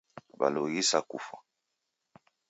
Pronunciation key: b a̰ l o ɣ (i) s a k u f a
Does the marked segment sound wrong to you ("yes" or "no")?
no